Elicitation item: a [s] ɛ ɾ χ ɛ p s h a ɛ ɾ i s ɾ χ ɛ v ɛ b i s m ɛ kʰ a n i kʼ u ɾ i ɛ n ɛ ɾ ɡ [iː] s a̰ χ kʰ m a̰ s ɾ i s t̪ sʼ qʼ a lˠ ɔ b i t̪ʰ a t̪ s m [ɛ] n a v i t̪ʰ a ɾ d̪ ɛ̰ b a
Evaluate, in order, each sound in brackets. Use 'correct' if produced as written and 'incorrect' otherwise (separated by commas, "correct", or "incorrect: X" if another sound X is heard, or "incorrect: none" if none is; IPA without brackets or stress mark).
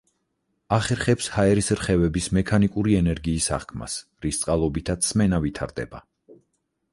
incorrect: χ, correct, correct